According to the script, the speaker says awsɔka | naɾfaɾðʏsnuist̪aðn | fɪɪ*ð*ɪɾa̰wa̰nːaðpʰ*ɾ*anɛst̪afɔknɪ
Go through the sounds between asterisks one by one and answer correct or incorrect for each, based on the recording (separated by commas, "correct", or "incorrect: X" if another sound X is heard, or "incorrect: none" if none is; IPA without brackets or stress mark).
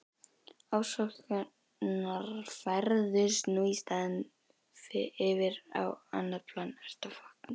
incorrect: v, incorrect: l